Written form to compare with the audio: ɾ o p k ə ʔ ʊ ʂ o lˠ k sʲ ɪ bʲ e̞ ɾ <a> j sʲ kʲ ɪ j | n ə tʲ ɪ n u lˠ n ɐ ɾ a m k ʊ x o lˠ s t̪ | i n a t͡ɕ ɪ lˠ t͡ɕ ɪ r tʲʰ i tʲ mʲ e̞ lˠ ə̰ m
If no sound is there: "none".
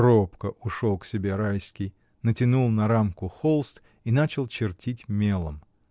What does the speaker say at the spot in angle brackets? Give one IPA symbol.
a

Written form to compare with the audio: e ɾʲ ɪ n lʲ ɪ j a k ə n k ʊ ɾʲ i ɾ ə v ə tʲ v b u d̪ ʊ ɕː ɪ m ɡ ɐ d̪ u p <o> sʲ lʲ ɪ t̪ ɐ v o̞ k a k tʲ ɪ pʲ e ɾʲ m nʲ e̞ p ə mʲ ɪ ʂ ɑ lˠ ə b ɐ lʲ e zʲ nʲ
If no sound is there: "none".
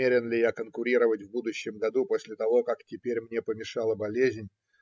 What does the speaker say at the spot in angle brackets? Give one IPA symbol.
o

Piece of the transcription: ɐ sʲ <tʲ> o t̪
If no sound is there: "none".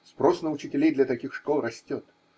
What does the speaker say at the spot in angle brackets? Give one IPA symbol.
tʲ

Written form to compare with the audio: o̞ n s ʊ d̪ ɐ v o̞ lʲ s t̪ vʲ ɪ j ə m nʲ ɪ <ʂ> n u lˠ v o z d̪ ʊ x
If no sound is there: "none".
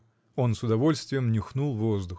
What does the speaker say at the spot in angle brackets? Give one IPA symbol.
x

